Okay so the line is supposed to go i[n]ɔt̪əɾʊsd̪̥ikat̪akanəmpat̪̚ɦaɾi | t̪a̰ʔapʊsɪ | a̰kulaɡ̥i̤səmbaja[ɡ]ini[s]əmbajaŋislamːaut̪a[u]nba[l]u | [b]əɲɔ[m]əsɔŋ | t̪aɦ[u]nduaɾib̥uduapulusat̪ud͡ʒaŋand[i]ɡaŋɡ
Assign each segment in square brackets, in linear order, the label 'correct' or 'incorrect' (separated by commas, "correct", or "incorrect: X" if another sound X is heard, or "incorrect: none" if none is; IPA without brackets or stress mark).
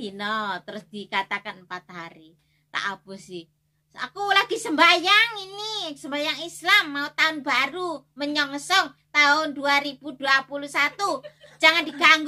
correct, incorrect: ŋ, correct, incorrect: ʊ, incorrect: ɾ, incorrect: m, incorrect: ŋ, incorrect: ʊ, correct